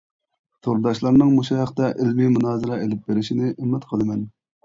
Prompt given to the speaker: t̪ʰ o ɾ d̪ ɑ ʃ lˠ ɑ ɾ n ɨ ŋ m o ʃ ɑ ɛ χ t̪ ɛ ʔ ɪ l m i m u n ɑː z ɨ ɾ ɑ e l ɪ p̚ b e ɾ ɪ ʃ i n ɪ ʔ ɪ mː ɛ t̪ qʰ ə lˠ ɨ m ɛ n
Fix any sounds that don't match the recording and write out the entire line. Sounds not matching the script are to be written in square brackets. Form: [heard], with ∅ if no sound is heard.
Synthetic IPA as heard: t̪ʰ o ɾ d̪ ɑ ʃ lˠ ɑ ɾ n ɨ ŋ m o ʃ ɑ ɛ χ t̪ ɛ ʔ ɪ l m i m u n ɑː z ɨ ɾ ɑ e l ɪ p̚ b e ɾ ɪ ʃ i n ɪ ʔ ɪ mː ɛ t̪ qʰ ə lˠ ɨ m ɛ n